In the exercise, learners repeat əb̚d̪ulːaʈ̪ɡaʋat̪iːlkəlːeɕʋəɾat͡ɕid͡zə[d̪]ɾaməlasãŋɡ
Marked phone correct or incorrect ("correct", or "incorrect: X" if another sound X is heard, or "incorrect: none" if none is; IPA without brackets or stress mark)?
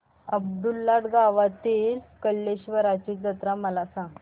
incorrect: t̪